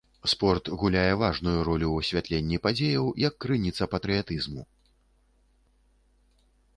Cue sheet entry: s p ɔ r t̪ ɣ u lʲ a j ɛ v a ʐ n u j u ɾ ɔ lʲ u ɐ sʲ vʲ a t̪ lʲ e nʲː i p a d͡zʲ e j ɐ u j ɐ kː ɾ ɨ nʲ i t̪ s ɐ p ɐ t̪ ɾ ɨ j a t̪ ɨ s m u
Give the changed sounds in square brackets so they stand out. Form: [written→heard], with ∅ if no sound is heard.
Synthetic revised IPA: s p ɔ r t̪ ɣ u lʲ a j ɛ v a ʐ n u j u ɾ ɔ lʲ u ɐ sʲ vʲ a t̪ lʲ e nʲː i p a d͡zʲ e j ɐ [u→w] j ɐ kː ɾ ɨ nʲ i t̪ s ɐ p ɐ t̪ ɾ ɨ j a t̪ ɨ [s→z] m u

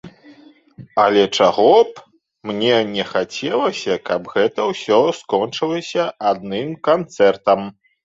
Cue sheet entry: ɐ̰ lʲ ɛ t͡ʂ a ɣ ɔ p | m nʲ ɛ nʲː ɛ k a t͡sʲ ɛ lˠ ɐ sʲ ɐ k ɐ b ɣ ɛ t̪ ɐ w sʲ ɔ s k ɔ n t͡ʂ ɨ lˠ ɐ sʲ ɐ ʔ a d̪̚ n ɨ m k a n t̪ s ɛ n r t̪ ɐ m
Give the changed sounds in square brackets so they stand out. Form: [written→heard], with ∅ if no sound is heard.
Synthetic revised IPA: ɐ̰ lʲ ɛ t͡ʂ a ɣ ɔ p | m nʲ ɛ [nʲː→nʲ] ɛ [k→x] a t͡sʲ ɛ lˠ ɐ sʲ ɐ k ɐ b ɣ ɛ t̪ ɐ w sʲ ɔ s k ɔ n t͡ʂ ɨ lˠ ɐ sʲ ɐ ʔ a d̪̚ n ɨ m k a n t̪ s ɛ [n→∅] r t̪ ɐ m

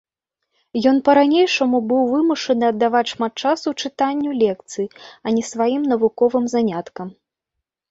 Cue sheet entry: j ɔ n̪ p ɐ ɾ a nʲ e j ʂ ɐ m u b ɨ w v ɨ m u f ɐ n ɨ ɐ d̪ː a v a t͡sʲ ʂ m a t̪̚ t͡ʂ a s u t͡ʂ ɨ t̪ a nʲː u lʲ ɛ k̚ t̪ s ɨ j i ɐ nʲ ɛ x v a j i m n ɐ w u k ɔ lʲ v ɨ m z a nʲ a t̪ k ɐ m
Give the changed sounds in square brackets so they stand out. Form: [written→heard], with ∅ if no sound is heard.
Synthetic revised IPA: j ɔ n̪ p ɐ ɾ a nʲ e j ʂ ɐ m u b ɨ w v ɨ m u [f→ʂ] ɐ n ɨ ɐ d̪ː a v a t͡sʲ ʂ m a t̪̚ t͡ʂ a s u t͡ʂ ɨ t̪ a nʲː u lʲ ɛ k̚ t̪ s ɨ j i ɐ nʲ ɛ [x→s] v a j i m n ɐ [w→v] u k ɔ [lʲ→∅] v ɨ m z a nʲ a t̪ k ɐ m

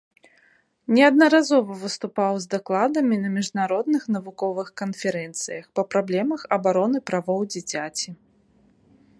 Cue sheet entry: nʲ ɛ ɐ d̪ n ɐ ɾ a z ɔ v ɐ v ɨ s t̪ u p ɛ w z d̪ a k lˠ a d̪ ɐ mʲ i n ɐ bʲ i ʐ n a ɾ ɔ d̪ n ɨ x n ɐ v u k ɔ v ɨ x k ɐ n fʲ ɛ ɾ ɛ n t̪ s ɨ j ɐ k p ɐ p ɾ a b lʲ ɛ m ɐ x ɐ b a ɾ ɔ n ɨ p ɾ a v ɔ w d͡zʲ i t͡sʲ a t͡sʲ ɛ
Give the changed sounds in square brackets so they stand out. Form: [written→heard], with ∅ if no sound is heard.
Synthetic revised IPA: nʲ ɛ ɐ d̪ n ɐ ɾ a z ɔ v ɐ v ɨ s t̪ u p [ɛ→a] w z d̪ a k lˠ a d̪ ɐ mʲ i n ɐ [bʲ→mʲ] i ʐ n a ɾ ɔ d̪ n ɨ x n ɐ v u k ɔ v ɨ x k ɐ n fʲ ɛ ɾ ɛ n t̪ s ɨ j ɐ [k→x] p ɐ p ɾ a b lʲ ɛ m ɐ x ɐ b a ɾ ɔ n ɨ p ɾ a v ɔ w d͡zʲ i t͡sʲ a t͡sʲ [ɛ→i]

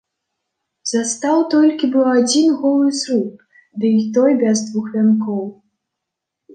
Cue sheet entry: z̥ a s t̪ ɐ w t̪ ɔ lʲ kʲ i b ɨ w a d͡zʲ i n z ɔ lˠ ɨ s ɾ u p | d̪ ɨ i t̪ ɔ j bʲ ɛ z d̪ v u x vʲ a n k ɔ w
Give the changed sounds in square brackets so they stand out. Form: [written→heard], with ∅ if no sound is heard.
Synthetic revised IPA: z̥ a s t̪ [ɐ→a] w t̪ ɔ lʲ kʲ i b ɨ w a d͡zʲ i n [z→ɣ] ɔ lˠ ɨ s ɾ u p | d̪ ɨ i t̪ ɔ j bʲ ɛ z d̪ v u x vʲ a n k ɔ w

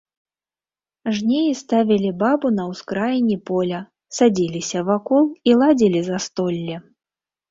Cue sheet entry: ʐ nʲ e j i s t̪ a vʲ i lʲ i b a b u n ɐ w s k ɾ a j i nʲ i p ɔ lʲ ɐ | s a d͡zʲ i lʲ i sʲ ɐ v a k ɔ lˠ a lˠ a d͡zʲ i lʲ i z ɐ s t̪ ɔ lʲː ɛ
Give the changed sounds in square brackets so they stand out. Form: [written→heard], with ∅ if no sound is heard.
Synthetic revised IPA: ʐ nʲ e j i s t̪ a vʲ i lʲ i b a b u n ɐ w s k ɾ a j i nʲ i p ɔ lʲ ɐ | s a d͡zʲ i lʲ i sʲ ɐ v a k ɔ lˠ [a→i] lˠ a d͡zʲ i lʲ i z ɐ s t̪ ɔ lʲː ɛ

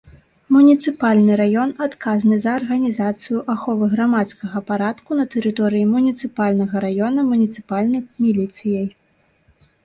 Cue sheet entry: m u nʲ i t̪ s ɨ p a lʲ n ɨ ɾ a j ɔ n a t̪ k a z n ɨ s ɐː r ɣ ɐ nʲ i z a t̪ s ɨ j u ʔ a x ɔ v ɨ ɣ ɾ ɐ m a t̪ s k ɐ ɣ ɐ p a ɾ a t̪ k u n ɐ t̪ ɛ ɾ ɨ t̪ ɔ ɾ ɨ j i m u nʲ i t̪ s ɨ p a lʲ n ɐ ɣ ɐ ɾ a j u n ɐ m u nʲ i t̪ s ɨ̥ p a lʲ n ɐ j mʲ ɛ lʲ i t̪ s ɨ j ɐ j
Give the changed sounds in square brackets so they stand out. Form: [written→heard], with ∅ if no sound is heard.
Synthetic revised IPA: m u nʲ i t̪ s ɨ p a lʲ n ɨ ɾ a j ɔ n a t̪ k a z n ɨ [s→z] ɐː r ɣ ɐ nʲ i z a t̪ s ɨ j u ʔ a x ɔ v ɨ ɣ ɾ [ɐ→a] m a t̪ s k ɐ ɣ ɐ p a ɾ a t̪ k u n ɐ t̪ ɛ ɾ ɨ t̪ ɔ ɾ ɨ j i m u nʲ i t̪ s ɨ p a lʲ n ɐ ɣ ɐ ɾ a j [u→ɔ] n ɐ m u nʲ i t̪ s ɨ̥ p a lʲ n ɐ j mʲ [ɛ→i] lʲ i t̪ s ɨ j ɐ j

